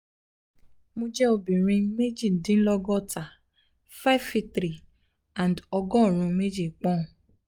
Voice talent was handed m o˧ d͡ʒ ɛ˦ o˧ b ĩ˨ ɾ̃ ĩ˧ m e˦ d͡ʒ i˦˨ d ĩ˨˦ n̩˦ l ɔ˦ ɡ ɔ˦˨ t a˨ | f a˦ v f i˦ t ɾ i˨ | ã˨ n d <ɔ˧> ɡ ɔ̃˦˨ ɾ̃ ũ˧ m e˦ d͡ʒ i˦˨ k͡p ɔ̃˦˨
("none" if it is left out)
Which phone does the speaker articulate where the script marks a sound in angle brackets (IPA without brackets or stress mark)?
ɔ˧